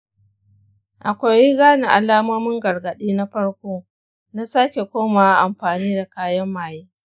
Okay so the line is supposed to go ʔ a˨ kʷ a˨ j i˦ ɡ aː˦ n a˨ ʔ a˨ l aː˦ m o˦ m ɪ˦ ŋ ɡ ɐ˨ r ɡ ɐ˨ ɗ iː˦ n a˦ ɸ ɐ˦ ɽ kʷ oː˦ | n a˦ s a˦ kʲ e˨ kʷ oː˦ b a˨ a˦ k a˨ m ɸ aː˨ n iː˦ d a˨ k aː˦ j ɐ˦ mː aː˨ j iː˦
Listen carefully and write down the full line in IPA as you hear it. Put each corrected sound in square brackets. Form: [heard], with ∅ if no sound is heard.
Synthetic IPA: ʔ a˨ kʷ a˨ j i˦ ɡ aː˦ n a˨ ʔ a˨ l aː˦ m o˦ m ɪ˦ ŋ ɡ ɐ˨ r ɡ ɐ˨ ɗ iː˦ n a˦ ɸ ɐ˦ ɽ kʷ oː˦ | n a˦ s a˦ kʲ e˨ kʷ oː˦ [m] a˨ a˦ [ʔ] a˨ m ɸ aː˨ n iː˦ d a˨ k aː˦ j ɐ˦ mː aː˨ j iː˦